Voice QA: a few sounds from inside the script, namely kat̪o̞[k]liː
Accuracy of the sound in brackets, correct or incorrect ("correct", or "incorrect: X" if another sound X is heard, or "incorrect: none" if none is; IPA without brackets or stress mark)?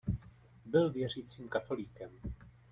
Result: incorrect: none